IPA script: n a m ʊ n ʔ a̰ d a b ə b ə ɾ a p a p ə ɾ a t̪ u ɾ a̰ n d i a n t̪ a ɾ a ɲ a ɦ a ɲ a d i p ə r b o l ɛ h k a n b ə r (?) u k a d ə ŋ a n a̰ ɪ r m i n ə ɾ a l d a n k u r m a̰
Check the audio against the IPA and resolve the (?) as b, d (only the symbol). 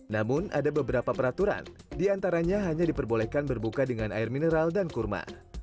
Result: b